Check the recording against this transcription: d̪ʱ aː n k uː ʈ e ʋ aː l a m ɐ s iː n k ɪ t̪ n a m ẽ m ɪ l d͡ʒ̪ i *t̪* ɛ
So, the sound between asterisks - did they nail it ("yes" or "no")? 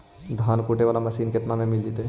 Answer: yes